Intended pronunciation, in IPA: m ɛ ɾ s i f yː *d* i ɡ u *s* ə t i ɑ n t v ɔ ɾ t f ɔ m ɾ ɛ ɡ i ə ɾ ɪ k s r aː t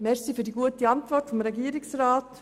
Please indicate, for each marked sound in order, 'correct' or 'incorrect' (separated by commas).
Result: correct, incorrect